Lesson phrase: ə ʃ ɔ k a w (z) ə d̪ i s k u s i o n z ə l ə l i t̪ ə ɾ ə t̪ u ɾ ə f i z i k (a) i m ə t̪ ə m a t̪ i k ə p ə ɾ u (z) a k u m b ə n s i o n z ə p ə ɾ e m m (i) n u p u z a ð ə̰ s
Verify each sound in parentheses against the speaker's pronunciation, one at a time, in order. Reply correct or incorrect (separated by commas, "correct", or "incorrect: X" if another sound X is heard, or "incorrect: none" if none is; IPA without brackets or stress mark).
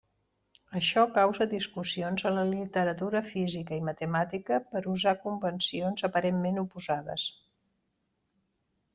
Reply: correct, incorrect: ə, correct, incorrect: e